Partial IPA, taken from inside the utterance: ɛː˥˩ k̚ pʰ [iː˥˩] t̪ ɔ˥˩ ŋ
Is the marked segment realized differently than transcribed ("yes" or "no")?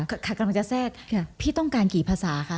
no